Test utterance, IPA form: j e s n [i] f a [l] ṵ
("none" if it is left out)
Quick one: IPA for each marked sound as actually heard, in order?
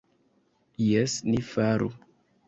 i, ɾ

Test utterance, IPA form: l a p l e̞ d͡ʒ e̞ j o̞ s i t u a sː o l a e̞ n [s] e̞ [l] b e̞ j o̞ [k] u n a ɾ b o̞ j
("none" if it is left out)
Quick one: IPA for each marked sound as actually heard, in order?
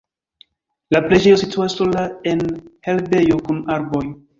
h, l, k

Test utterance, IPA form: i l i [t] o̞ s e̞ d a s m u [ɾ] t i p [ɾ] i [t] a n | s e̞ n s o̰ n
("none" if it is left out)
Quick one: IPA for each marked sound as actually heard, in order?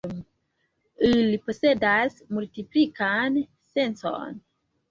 p, l, l, k

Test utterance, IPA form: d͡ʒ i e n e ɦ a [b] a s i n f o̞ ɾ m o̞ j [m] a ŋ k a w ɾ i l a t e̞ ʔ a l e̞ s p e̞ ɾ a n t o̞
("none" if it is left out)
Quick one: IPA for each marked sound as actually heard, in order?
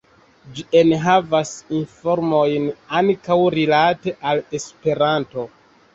v, n

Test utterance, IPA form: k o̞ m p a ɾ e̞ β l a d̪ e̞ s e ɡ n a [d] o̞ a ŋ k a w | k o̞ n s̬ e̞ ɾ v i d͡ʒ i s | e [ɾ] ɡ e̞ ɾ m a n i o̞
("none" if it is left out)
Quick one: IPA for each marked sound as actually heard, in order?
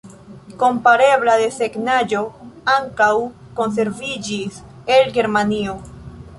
d͡ʒ, l

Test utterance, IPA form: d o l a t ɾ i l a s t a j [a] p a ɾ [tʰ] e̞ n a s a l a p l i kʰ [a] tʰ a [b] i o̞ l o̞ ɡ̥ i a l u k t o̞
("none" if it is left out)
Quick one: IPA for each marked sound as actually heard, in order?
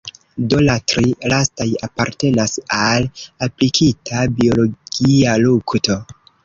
a, t, i, b

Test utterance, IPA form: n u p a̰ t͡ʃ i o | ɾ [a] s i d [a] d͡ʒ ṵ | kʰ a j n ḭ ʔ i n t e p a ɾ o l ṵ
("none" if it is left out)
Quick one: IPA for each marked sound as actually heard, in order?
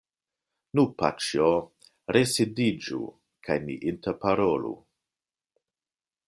e, i

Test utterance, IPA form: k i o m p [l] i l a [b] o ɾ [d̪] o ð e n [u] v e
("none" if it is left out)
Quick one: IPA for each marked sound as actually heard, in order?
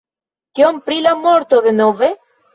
ɾ, m, t̪, o

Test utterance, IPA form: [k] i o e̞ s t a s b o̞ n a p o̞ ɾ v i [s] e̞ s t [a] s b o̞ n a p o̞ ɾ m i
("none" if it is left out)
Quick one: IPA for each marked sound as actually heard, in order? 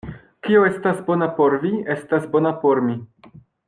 k, none, a

